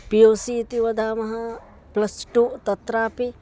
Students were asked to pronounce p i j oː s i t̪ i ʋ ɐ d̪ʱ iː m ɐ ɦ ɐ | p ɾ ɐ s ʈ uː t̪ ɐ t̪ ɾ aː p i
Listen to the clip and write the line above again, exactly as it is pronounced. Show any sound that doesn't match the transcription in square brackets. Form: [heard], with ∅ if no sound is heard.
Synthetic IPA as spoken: p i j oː s i t̪ i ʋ ɐ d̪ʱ [aː] m ɐ ɦ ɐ | p [l] ɐ s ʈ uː t̪ ɐ t̪ ɾ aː p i